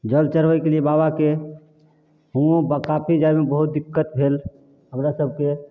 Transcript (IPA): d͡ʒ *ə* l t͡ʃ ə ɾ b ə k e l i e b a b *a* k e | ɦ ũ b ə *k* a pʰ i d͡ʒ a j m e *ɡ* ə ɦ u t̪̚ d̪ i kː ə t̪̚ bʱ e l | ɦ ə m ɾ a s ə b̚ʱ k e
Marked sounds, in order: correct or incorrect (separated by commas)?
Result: correct, correct, correct, incorrect